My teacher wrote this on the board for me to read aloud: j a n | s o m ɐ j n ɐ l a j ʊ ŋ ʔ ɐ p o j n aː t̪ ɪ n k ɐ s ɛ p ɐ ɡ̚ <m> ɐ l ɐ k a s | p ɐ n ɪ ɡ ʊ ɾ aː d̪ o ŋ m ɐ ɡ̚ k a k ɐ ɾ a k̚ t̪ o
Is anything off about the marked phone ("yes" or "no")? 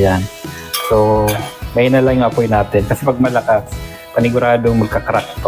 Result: no